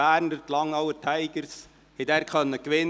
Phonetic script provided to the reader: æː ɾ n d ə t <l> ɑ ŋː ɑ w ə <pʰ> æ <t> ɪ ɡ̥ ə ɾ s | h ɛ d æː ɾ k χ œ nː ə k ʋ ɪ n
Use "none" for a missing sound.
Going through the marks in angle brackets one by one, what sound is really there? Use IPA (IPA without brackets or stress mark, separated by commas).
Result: l, tʰ, none